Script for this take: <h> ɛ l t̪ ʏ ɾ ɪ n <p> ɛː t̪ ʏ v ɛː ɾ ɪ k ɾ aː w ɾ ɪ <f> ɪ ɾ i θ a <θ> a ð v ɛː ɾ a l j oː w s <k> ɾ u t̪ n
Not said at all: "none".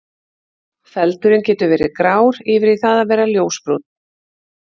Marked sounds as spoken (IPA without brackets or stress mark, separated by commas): f, c, v, ð, p